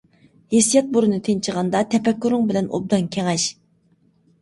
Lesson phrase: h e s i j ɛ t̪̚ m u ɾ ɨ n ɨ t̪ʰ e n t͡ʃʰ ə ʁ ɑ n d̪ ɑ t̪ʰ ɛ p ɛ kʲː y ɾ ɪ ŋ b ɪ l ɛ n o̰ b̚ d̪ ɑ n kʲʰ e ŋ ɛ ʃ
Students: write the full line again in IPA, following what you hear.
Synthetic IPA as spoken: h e s i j ɛ t̪̚ b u ɾ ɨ n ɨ t̪ʰ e n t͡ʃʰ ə ʁ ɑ n d̪ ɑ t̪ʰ ɛ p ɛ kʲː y ɾ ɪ ŋ b ɪ l ɛ n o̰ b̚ d̪ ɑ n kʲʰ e ŋ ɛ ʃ